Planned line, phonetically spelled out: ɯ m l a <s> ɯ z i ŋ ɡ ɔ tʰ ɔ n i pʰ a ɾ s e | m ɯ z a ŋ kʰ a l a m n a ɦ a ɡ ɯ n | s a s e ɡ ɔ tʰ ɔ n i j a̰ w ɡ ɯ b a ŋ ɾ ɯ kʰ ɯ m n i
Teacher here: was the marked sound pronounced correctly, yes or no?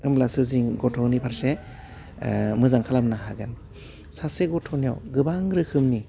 yes